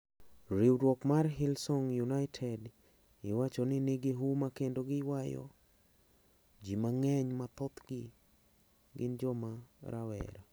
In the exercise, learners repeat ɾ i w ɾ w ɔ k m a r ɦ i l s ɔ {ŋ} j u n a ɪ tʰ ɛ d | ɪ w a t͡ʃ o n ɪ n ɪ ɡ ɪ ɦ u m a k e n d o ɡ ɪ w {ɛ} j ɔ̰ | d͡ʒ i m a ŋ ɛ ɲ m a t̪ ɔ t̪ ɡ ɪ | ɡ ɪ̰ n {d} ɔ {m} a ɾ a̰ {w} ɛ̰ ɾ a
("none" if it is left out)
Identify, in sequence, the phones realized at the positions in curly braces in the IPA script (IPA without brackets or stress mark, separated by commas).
ŋ, a, d͡ʒ, m, w